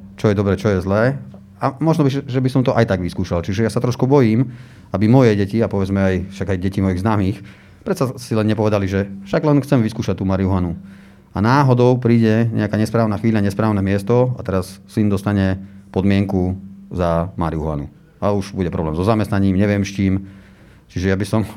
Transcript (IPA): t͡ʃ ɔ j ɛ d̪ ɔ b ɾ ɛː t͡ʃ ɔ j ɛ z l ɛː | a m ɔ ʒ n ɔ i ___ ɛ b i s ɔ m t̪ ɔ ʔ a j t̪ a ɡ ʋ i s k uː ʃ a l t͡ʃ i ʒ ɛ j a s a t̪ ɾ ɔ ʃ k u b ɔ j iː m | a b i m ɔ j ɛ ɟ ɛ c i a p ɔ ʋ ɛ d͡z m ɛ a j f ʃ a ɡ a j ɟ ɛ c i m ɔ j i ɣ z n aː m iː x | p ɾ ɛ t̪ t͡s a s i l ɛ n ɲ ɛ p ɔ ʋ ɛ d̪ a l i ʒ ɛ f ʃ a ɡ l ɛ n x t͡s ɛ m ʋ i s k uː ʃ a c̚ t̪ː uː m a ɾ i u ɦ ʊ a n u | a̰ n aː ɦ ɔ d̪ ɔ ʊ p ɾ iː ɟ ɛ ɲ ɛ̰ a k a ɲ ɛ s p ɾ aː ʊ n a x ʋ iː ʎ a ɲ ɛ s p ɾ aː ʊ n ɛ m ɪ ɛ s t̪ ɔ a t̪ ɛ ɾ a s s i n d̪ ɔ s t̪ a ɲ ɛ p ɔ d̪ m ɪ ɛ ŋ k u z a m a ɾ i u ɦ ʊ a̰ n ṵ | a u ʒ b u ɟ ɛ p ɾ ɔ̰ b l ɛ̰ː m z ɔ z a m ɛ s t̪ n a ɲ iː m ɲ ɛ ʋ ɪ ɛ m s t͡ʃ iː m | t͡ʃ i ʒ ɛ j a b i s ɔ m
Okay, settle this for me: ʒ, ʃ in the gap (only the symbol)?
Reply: ʒ